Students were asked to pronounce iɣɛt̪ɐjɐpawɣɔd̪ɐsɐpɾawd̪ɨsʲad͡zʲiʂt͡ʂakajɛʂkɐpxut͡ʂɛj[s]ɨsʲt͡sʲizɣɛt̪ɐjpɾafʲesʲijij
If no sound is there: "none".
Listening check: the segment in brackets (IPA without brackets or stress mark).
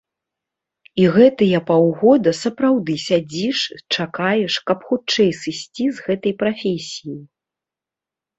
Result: s